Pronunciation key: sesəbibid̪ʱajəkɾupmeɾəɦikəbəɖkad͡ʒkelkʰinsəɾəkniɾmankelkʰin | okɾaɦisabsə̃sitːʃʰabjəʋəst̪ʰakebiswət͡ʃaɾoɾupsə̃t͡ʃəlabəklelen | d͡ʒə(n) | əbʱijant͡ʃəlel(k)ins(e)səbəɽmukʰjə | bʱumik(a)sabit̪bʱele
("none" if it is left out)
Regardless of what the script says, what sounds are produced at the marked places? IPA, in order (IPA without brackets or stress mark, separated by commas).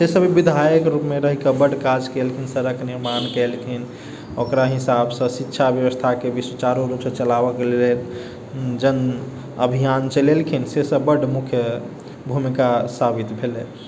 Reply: n, kʰ, e, a